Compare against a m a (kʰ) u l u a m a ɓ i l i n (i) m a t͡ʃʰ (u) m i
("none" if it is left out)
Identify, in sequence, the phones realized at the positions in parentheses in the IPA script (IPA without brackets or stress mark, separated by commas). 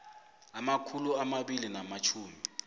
kʰ, a, uː